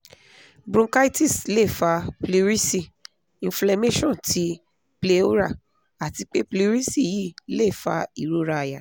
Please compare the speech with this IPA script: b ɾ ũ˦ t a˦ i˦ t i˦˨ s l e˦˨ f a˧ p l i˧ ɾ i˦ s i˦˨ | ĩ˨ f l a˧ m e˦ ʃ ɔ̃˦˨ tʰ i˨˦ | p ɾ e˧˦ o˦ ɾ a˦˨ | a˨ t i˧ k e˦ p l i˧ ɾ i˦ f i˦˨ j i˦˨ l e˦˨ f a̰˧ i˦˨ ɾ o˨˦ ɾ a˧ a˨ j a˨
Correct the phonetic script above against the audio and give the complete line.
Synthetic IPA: b ɾ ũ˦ k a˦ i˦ t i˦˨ s l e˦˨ f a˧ p l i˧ ɾ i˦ s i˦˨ | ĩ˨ f l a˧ m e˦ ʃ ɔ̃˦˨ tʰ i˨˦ | p l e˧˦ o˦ ɾ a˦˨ | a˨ t i˧ k͡p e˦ p l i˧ ɾ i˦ s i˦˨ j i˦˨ l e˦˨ f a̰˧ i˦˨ ɾ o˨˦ ɾ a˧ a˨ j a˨